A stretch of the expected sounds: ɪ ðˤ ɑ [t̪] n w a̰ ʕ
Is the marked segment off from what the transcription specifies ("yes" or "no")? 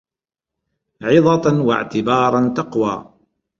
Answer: no